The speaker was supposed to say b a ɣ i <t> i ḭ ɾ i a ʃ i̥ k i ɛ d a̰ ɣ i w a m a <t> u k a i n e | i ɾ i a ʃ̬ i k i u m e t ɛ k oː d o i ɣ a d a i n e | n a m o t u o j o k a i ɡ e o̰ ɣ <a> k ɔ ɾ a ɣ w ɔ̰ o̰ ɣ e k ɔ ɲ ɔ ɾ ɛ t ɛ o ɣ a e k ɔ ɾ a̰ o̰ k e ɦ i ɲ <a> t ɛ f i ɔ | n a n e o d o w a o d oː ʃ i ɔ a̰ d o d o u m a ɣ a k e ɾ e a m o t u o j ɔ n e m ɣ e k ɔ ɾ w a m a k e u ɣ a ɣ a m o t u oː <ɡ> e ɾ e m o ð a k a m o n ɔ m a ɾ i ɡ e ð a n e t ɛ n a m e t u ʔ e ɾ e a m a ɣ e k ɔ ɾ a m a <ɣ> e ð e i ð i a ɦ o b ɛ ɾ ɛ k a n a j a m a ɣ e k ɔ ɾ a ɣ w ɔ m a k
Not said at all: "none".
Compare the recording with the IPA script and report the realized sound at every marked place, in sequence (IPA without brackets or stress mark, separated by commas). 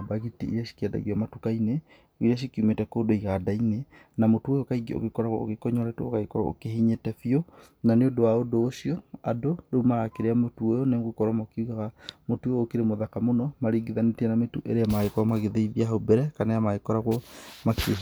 t, t, e, e, k, ɣ